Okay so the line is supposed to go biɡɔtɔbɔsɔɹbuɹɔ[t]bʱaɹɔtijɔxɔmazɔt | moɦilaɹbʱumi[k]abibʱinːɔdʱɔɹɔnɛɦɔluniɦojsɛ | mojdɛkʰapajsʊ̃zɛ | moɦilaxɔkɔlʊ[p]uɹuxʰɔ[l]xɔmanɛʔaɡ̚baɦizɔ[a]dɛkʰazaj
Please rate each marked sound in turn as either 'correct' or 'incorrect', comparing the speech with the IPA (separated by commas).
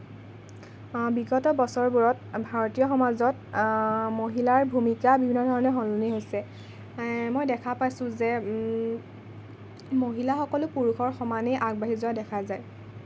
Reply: correct, correct, correct, incorrect, correct